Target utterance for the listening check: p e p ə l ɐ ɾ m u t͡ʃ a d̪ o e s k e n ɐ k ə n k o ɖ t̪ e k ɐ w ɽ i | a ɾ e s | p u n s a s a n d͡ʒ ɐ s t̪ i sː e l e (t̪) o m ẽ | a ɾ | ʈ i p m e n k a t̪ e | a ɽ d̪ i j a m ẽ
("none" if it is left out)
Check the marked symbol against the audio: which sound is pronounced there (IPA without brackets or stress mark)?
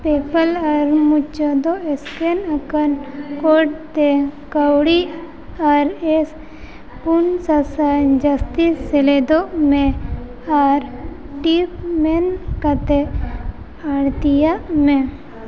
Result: d̪